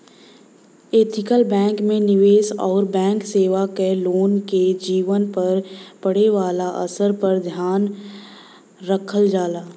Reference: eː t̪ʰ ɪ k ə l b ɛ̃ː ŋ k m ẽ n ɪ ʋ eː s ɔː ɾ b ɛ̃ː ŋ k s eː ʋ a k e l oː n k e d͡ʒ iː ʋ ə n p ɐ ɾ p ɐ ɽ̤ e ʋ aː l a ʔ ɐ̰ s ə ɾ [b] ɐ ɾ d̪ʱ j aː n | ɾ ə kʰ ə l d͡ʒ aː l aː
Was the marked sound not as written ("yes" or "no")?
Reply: yes